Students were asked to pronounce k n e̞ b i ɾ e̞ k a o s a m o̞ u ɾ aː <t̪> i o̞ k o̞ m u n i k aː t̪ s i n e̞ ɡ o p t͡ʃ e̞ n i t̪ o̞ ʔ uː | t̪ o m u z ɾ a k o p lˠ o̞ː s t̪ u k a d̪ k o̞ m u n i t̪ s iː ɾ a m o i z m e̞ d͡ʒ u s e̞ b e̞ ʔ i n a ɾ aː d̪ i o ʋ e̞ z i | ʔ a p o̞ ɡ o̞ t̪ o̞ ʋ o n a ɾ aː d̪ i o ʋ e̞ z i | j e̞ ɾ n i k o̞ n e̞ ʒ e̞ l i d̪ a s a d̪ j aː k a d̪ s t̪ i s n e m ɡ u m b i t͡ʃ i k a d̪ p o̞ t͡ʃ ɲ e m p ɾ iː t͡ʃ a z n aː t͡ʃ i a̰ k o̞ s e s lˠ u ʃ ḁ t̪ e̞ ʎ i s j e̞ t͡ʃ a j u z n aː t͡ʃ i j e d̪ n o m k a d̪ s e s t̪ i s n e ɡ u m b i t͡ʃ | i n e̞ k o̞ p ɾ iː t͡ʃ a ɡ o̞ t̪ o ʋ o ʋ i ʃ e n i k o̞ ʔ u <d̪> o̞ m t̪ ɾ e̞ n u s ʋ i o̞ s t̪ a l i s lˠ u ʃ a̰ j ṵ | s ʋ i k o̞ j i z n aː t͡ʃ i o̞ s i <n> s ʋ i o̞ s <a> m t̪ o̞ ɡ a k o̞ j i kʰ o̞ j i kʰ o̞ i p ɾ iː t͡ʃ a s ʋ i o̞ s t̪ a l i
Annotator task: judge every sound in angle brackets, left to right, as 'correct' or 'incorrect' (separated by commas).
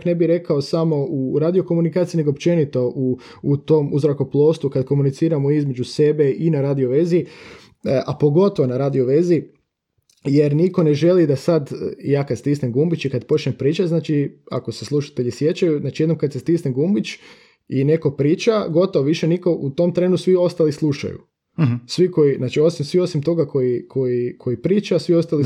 incorrect, incorrect, incorrect, incorrect